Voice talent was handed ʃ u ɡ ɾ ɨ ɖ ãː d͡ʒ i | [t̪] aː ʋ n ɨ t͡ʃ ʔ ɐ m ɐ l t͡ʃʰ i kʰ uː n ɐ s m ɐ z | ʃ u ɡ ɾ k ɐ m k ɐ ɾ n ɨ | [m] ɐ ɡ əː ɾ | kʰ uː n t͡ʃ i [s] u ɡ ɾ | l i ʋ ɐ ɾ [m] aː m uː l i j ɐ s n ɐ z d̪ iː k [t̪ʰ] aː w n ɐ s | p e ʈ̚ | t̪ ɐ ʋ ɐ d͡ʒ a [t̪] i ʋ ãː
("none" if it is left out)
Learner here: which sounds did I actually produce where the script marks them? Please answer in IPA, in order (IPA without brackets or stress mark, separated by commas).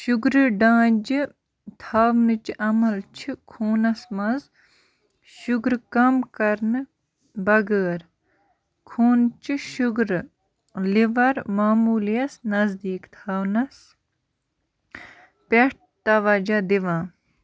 t̪ʰ, b, ʃ, m, t̪ʰ, d̪